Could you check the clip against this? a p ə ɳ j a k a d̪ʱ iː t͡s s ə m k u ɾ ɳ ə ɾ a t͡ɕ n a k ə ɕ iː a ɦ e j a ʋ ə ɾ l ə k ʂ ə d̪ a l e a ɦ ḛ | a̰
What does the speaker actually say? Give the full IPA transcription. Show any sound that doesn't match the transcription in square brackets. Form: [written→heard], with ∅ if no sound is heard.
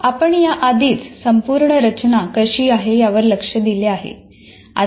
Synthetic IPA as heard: a p ə ɳ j a [k→ʔ] a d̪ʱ iː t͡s s ə m [k→p] u ɾ ɳ ə ɾ [a→ə] t͡ɕ n a k ə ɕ iː a ɦ e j a ʋ ə ɾ l ə k ʂ ə d̪ [a→i] l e a ɦ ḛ | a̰